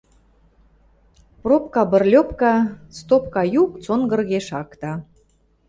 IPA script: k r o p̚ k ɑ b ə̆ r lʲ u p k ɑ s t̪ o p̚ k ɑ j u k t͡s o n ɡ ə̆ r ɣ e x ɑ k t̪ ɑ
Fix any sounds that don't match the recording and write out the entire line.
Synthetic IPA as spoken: p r o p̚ k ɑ b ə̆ r lʲ o p k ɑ s t̪ o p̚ k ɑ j u k t͡s o n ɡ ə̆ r ɣ e ʃ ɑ k t̪ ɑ